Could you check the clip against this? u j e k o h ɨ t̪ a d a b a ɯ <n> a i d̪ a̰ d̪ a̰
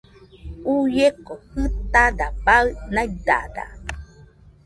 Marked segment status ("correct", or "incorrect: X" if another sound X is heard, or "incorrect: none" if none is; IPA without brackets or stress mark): correct